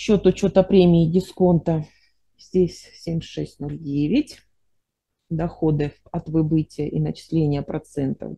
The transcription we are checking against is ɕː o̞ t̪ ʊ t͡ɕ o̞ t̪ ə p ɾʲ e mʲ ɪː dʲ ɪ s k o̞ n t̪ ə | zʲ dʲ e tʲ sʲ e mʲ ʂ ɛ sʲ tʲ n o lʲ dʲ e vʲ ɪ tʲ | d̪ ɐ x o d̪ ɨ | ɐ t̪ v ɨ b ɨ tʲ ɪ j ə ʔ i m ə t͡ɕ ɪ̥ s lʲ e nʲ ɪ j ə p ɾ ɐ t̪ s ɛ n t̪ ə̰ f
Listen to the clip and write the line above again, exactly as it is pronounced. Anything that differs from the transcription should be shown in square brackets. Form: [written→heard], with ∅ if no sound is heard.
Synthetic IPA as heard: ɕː o̞ t̪ ʊ t͡ɕ o̞ t̪ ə p ɾʲ e mʲ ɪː dʲ ɪ s k o̞ n t̪ ə | zʲ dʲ e [tʲ→sʲ] sʲ e mʲ ʂ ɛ sʲ tʲ n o lʲ dʲ e vʲ ɪ tʲ | d̪ ɐ x o d̪ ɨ | ɐ t̪ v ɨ b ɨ tʲ ɪ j ə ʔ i [m→n] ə t͡ɕ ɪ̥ s lʲ e nʲ ɪ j ə p ɾ ɐ t̪ s ɛ n t̪ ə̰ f

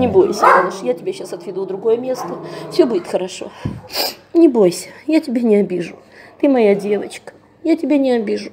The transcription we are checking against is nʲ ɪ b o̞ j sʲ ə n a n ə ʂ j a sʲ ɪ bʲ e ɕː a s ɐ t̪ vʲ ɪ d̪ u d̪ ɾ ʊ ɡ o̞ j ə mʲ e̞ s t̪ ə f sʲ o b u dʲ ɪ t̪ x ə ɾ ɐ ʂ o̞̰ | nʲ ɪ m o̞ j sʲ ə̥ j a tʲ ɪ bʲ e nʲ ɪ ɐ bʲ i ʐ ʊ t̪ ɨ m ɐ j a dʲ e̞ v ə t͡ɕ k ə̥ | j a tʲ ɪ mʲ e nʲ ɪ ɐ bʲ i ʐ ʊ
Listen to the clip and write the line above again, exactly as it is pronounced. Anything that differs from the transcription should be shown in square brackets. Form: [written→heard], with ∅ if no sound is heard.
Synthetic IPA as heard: nʲ ɪ b o̞ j sʲ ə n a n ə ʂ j a [sʲ→tʲ] ɪ bʲ e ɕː a s ɐ t̪ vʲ ɪ d̪ u d̪ ɾ ʊ ɡ o̞ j ə mʲ e̞ s t̪ ə f sʲ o b u dʲ ɪ t̪ x ə ɾ ɐ ʂ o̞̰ | nʲ ɪ [m→b] o̞ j sʲ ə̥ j a tʲ ɪ bʲ e nʲ ɪ ɐ bʲ i ʐ ʊ t̪ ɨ m ɐ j a dʲ e̞ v ə t͡ɕ k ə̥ | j a tʲ ɪ [mʲ→bʲ] e nʲ ɪ ɐ bʲ i ʐ ʊ

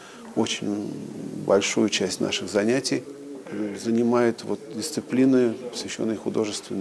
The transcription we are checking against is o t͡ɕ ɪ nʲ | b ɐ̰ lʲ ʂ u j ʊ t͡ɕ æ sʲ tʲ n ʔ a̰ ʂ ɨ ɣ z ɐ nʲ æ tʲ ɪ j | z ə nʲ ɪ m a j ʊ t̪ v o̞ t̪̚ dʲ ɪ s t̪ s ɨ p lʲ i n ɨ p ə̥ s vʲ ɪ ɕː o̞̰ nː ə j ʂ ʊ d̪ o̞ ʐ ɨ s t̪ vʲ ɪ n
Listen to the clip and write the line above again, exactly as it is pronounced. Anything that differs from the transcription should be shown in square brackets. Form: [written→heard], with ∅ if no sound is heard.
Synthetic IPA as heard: o t͡ɕ ɪ nʲ | b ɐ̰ lʲ ʂ u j ʊ t͡ɕ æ sʲ tʲ n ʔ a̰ ʂ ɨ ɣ z ɐ nʲ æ tʲ ɪ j | z ə nʲ ɪ m a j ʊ t̪ v o̞ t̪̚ dʲ ɪ s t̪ s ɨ p lʲ i n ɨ p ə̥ s vʲ ɪ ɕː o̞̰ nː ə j [ʂ→x] ʊ d̪ o̞ ʐ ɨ s t̪ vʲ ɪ n

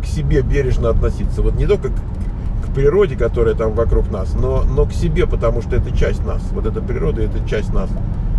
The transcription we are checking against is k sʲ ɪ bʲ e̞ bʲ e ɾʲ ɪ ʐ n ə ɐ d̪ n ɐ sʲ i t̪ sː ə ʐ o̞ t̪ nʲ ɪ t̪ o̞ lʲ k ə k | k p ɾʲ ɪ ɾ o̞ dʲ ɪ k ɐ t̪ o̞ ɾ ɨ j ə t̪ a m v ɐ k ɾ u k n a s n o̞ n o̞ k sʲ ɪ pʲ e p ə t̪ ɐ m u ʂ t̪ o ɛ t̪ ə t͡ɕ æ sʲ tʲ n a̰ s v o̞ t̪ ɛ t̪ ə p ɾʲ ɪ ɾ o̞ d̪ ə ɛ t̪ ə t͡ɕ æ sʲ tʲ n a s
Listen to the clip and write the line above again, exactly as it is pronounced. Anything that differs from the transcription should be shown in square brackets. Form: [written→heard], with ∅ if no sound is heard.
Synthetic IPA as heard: k sʲ ɪ bʲ e̞ bʲ e ɾʲ ɪ ʐ n ə ɐ [d̪→t̪] n ɐ sʲ i t̪ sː ə [ʐ→v] o̞ t̪ nʲ ɪ t̪ o̞ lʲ k ə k | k p ɾʲ ɪ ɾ o̞ dʲ ɪ k ɐ t̪ o̞ ɾ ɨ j ə t̪ a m v ɐ k ɾ u k n a s n o̞ n o̞ k sʲ ɪ [pʲ→bʲ] e p ə t̪ ɐ m u ʂ t̪ o ɛ t̪ ə t͡ɕ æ sʲ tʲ n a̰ s v o̞ t̪ ɛ t̪ ə p ɾʲ ɪ ɾ o̞ d̪ ə ɛ t̪ ə t͡ɕ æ sʲ tʲ n a s

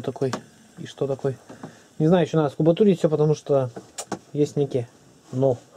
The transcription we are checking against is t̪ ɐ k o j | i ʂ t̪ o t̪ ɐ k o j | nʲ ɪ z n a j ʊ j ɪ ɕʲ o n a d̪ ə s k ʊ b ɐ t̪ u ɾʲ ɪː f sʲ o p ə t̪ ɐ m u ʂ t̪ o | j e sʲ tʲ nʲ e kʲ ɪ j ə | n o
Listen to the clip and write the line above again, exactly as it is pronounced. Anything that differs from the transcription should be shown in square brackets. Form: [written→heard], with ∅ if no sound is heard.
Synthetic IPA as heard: t̪ ɐ k o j | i ʂ t̪ o t̪ ɐ k o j | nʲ ɪ z n a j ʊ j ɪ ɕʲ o n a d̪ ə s k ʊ b ɐ t̪ u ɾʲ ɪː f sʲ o p ə t̪ ɐ m u ʂ t̪ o | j e sʲ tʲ nʲ e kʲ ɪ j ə | n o

